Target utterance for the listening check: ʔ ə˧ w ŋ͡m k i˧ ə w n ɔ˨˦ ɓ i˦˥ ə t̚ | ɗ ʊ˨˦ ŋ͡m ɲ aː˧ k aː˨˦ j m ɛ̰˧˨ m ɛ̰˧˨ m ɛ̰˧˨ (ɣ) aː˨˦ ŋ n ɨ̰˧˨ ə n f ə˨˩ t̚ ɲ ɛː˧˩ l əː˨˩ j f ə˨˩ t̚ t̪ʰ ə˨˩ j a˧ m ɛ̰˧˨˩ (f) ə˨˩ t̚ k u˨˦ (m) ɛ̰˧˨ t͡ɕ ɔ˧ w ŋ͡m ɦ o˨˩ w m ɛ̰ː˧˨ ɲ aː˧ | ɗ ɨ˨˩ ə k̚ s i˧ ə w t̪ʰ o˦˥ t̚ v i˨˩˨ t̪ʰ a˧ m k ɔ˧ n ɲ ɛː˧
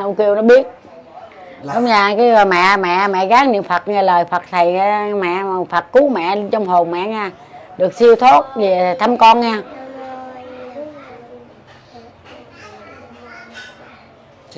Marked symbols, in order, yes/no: yes, yes, yes

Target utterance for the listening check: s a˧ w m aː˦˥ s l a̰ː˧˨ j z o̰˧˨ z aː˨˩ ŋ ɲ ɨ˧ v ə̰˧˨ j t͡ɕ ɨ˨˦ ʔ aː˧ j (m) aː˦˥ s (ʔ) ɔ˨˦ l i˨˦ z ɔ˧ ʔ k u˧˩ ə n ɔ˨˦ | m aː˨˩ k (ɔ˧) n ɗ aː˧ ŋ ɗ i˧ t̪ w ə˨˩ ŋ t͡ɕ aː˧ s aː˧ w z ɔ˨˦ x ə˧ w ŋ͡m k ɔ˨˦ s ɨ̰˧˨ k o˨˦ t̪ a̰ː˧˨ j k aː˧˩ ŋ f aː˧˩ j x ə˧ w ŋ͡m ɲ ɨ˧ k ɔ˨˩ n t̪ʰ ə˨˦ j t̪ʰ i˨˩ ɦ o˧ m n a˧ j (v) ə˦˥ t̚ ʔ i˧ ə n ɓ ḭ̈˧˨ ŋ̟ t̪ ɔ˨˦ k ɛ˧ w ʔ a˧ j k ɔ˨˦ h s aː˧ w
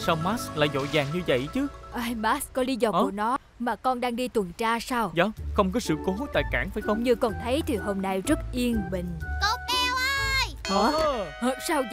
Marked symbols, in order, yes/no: yes, no, yes, no

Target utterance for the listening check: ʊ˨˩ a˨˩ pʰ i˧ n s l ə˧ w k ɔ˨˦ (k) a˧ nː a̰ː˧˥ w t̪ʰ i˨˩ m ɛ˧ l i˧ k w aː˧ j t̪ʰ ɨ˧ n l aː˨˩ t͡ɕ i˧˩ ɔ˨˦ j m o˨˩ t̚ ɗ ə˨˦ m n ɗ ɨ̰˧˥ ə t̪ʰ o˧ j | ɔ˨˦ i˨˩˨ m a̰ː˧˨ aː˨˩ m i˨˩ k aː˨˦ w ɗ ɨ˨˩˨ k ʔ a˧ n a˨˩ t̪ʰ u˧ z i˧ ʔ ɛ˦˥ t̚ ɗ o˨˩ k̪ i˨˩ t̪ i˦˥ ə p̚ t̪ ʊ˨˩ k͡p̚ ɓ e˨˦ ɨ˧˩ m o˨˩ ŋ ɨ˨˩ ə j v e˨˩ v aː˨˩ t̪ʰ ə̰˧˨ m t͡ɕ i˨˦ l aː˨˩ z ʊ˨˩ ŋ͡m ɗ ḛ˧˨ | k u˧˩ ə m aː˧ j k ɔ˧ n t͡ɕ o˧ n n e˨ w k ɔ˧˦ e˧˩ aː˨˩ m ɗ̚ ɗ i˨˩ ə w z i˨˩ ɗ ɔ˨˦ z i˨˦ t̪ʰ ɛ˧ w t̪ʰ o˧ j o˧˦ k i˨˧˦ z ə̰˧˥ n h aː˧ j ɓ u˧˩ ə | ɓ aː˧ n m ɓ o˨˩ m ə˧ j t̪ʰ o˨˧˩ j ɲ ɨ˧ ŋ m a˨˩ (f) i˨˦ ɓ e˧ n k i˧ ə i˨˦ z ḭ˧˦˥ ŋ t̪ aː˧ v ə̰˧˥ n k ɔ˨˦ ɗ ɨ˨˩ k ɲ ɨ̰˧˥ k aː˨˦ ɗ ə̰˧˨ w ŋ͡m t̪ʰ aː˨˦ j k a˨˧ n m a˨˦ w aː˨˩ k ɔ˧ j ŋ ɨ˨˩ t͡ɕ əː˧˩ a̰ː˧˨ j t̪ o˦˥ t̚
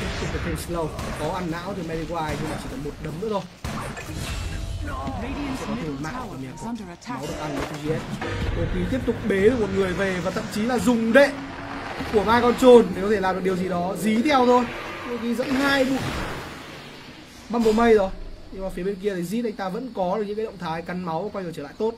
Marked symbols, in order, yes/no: no, yes

